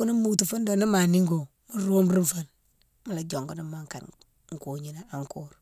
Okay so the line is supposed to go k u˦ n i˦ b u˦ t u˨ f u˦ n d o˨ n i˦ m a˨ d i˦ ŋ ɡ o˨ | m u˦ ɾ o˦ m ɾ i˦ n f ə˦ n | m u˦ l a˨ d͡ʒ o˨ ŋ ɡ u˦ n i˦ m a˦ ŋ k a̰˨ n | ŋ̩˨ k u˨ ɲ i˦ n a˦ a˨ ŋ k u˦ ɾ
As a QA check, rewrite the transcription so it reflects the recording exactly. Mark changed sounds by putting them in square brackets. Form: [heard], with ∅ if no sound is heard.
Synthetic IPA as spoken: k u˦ n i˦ [m] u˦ t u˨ f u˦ n d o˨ n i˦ m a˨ [n] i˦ ŋ ɡ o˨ | m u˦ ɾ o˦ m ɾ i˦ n f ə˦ n | m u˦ l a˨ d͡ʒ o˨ ŋ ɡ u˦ n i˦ m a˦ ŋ k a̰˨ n | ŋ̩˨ k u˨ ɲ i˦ n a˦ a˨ ŋ k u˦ ɾ